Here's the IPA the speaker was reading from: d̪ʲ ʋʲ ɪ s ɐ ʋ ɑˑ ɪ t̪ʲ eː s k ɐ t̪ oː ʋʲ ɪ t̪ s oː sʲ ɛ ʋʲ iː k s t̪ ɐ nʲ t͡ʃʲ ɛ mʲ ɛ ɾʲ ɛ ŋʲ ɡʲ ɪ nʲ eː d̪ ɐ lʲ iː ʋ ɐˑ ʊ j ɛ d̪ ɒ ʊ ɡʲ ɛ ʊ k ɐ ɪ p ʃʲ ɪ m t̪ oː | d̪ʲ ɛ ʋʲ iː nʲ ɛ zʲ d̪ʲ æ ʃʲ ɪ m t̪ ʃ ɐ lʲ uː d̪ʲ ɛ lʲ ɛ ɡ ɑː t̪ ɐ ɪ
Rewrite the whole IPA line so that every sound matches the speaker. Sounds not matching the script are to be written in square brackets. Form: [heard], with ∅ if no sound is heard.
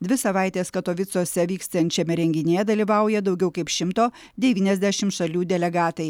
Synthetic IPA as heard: d̪ʲ ʋʲ ɪ s ɐ ʋ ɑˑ ɪ t̪ʲ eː s k ɐ t̪ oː ʋʲ ɪ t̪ s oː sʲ ɛ ʋʲ iː k s t̪ ɐ nʲ t͡ʃʲ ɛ mʲ ɛ ɾʲ ɛ ŋʲ ɡʲ ɪ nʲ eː d̪ ɐ lʲ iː ʋ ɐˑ ʊ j ɛ d̪ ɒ ʊ ɡʲ ɛ ʊ k ɐ ɪ p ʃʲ ɪ m t̪ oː | d̪ʲ ɛ ʋʲ iː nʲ ɛ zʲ d̪ʲ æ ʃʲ ɪ m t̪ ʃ ɐ lʲ uː d̪ʲ ɛ lʲ ɛ ɡ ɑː t̪ ɐ ɪ